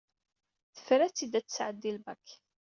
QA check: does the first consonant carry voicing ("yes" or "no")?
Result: no